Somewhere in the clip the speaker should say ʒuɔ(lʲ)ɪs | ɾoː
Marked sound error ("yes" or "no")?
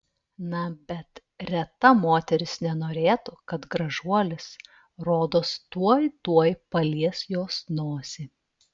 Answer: no